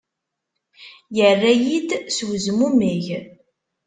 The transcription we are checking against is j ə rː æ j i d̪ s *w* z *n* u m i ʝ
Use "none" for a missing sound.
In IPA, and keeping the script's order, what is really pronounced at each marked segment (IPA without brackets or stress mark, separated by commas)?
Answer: w, m